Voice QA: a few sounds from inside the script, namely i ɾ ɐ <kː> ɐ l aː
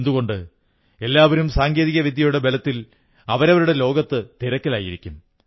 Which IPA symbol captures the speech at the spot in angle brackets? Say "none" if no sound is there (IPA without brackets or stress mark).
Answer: kː